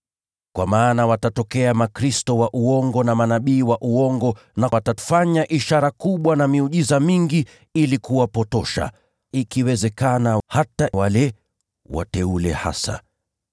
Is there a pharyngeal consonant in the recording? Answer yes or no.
no